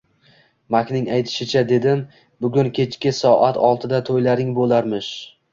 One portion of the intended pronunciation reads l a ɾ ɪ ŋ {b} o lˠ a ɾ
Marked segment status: correct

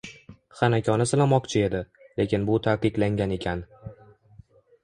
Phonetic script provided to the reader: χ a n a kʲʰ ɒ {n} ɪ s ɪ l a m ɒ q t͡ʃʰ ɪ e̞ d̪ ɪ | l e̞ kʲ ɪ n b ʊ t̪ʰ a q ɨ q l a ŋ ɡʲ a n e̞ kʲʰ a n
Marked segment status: correct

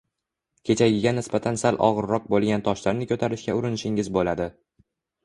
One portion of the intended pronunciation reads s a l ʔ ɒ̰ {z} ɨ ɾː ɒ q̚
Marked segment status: incorrect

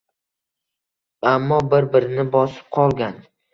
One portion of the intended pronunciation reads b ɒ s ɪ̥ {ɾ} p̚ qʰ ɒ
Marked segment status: incorrect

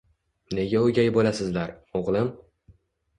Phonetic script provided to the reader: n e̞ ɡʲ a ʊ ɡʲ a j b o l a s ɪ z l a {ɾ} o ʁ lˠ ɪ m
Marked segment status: correct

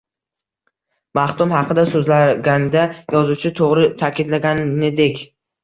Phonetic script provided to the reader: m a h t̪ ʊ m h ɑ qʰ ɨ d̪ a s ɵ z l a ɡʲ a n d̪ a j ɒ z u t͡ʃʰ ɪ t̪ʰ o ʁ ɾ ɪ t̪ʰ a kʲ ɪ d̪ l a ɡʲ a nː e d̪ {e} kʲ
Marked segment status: correct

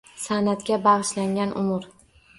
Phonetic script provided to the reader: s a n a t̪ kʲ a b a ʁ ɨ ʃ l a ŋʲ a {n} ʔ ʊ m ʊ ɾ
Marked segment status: correct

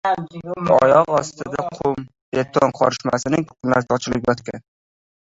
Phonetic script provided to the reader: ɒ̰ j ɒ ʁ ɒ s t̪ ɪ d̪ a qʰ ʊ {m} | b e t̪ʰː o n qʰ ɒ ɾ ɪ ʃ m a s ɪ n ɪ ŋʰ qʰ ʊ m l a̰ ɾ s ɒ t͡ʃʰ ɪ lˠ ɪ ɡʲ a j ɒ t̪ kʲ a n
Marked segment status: correct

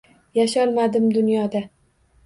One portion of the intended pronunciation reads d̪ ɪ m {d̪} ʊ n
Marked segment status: correct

